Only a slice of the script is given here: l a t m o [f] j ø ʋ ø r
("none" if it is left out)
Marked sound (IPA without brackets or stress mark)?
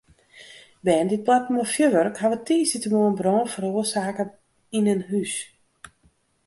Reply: f